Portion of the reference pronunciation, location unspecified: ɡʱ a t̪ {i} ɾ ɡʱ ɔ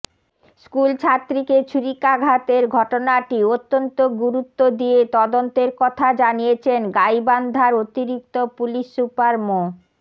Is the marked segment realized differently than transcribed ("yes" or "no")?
yes